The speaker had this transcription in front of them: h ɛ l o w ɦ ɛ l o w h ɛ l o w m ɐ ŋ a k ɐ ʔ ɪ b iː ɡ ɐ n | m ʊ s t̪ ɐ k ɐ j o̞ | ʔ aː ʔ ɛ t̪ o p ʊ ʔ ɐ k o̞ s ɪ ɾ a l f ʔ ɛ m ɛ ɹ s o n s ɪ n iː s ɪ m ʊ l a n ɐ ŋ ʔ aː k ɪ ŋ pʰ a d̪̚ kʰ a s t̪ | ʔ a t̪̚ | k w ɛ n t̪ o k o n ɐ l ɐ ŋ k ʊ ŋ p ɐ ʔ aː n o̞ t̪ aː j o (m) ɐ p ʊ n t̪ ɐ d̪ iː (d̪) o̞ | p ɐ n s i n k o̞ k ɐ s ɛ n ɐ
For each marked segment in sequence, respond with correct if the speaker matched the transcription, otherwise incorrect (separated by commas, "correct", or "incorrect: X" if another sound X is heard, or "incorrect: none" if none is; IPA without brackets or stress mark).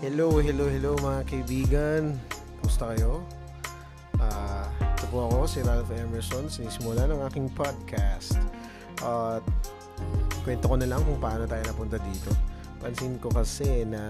incorrect: n, incorrect: t̪